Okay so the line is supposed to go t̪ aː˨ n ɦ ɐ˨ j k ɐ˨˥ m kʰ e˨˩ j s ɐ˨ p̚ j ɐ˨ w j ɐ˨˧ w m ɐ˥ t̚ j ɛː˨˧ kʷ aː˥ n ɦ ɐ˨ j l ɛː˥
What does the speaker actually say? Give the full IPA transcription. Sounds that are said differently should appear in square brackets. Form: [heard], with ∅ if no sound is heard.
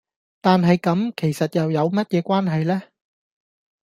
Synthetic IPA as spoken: t̪ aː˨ n ɦ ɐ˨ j k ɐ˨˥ m kʰ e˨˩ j s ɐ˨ [t̚] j ɐ˨ w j ɐ˨˧ w m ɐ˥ t̚ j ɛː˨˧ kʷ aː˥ n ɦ ɐ˨ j l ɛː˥